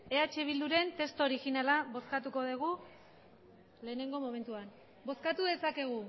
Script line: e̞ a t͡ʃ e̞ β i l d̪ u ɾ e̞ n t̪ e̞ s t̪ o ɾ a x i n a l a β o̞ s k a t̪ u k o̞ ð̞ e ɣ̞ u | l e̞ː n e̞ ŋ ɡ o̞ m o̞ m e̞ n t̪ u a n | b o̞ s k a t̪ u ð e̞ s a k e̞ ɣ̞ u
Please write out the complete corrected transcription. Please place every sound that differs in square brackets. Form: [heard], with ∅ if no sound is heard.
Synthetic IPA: e̞ a t͡ʃ e̞ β i l d̪ u ɾ e̞ n t̪ e̞ s t̪ o ɾ [i] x i n a l a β o̞ s k a t̪ u k o̞ ð̞ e ɣ̞ u | l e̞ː n e̞ ŋ ɡ o̞ m o̞ m e̞ n t̪ u a n | b o̞ s k a t̪ u ð e̞ s a k e̞ ɣ̞ u